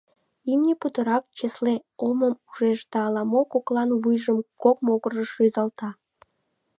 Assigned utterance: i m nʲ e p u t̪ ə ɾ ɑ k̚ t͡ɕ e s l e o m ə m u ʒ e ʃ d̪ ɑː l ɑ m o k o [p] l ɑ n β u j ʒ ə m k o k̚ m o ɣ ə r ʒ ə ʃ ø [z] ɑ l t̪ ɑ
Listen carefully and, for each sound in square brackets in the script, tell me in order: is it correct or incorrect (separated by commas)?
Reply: incorrect, correct